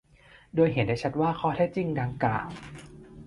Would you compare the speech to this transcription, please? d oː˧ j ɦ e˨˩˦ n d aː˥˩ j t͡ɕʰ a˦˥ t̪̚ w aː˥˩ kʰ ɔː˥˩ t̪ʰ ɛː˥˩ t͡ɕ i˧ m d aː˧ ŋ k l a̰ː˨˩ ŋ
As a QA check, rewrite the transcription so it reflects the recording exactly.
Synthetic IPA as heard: d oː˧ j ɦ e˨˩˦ n d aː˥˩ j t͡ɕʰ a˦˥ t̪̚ w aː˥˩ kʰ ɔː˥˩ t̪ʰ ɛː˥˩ t͡ɕ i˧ ŋ d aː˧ ŋ k l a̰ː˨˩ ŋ